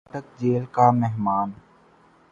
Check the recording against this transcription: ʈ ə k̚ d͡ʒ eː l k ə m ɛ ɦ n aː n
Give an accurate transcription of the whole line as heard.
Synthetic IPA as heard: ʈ ə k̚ d͡ʒ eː l k a m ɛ ɦ m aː n